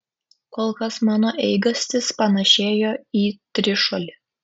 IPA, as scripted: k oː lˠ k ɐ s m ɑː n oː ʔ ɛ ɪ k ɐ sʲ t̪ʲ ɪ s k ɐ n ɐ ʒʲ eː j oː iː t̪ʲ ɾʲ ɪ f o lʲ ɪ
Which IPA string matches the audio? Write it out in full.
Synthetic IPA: k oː lˠ k ɐ s m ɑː n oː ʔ ɛ ɪ ɡ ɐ sʲ t̪ʲ ɪ s p ɐ n ɐ ʃʲ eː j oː iː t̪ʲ ɾʲ ɪ ʃ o lʲ ɪ